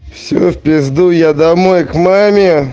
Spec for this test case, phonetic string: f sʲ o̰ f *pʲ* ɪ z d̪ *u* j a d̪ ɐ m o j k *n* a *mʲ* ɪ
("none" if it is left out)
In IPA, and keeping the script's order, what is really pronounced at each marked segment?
pʲ, u, m, mʲ

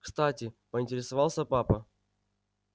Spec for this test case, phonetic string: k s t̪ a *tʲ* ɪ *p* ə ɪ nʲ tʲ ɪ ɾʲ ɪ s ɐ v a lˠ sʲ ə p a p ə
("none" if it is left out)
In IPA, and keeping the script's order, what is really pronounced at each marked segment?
tʲ, p

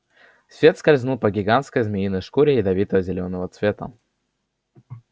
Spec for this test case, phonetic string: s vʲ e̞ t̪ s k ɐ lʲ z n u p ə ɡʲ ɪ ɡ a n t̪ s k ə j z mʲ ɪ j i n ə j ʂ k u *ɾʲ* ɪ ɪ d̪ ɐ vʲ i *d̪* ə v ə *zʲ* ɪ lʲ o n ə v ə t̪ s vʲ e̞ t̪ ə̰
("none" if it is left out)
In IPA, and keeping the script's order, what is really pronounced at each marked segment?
ɾʲ, t̪, zʲ

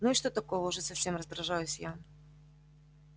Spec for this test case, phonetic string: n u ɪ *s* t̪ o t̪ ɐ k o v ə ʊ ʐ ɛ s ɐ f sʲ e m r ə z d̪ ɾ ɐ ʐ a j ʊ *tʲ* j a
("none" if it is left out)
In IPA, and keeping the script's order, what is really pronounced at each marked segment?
ʂ, sʲ

